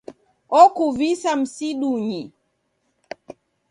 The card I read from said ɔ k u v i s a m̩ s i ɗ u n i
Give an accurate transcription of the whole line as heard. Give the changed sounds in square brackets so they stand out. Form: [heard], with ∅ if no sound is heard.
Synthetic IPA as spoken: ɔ k u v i s a m̩ s i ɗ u [ɲ] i